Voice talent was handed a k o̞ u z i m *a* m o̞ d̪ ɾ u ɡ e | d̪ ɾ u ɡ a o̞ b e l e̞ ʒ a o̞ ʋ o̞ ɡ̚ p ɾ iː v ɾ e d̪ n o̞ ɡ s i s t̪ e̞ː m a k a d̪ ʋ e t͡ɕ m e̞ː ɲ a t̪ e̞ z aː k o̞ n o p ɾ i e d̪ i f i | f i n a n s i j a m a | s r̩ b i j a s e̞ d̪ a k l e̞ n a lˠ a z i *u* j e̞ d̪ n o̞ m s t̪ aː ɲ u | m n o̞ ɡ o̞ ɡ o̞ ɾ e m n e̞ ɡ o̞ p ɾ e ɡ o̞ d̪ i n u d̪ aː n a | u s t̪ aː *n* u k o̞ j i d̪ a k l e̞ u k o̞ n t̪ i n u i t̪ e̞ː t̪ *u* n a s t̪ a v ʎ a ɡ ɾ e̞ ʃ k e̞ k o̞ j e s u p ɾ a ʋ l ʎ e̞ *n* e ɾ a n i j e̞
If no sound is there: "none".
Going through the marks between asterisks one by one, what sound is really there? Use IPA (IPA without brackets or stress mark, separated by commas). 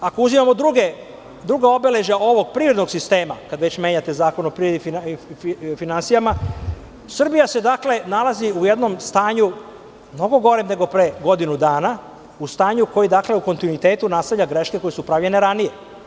a, u, ɲ, u, n